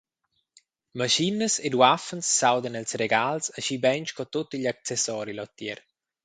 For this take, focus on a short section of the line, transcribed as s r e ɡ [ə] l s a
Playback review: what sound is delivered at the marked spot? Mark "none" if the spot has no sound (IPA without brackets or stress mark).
a